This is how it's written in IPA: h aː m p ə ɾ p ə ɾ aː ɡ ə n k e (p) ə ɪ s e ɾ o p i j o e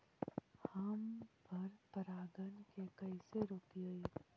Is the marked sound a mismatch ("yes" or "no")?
yes